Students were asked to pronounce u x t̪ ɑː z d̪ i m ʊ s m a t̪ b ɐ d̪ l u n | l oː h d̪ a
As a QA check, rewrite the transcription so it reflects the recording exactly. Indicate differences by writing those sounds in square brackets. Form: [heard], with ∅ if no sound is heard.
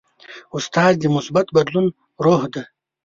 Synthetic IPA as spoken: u [s] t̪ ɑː z d̪ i m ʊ s [b] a t̪ b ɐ d̪ l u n | [ɾ] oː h d̪ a